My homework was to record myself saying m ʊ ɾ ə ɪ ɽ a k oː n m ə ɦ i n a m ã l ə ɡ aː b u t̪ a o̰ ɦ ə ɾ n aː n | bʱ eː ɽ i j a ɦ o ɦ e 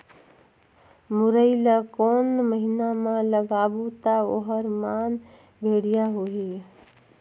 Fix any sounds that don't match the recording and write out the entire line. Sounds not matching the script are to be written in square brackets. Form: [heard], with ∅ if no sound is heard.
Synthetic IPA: m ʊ ɾ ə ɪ [l] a k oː n m ə ɦ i n a m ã l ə ɡ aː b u t̪ a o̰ ɦ ə ɾ [m] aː n | bʱ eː ɽ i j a ɦ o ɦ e